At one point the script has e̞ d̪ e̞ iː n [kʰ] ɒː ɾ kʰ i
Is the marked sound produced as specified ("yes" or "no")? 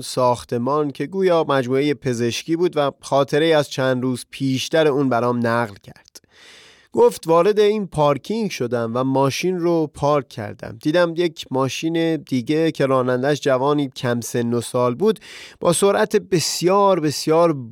no